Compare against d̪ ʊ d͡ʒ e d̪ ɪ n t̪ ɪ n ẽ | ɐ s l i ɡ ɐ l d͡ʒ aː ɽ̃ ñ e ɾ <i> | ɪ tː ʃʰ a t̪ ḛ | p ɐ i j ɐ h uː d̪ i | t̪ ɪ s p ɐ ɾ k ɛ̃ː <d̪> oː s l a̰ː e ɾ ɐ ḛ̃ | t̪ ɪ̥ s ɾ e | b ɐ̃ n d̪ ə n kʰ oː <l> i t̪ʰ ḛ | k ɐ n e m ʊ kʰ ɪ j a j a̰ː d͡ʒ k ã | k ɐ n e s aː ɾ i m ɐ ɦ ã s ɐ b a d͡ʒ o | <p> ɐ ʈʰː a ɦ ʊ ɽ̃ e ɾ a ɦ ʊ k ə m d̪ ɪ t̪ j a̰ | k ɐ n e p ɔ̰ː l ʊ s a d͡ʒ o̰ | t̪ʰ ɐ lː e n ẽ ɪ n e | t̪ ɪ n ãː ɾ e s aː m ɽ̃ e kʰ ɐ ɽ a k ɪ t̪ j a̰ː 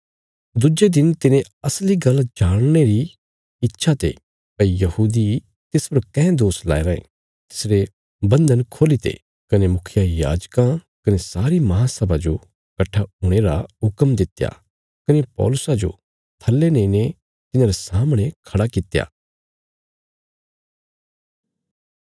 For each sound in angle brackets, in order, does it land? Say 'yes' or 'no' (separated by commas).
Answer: yes, yes, yes, no